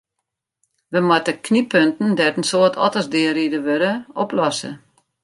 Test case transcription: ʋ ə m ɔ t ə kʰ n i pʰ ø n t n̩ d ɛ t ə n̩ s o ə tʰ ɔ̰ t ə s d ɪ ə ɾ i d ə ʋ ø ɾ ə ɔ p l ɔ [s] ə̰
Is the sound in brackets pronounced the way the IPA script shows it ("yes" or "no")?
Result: yes